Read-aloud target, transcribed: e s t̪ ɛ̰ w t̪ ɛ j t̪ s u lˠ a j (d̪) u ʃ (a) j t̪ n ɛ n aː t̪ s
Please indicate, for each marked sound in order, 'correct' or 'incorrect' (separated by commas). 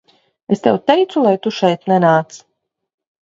incorrect, incorrect